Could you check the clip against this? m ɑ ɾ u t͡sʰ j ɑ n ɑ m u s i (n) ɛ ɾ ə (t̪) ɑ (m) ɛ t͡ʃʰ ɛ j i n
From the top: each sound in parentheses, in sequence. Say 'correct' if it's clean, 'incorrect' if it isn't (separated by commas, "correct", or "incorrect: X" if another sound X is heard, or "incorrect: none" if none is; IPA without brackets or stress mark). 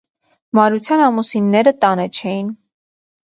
incorrect: nː, correct, incorrect: n